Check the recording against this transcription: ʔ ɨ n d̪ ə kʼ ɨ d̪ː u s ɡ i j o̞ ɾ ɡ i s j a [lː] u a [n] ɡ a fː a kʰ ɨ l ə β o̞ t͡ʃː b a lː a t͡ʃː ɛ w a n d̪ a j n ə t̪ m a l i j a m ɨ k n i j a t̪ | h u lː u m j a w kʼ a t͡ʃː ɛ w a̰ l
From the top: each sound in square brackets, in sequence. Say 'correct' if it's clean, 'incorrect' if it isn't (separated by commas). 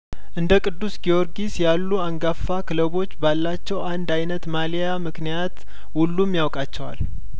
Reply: correct, incorrect